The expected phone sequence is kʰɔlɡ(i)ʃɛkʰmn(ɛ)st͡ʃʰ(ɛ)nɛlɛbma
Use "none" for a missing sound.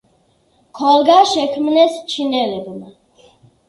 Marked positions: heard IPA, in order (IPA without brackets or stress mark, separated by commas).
a, ɛ, i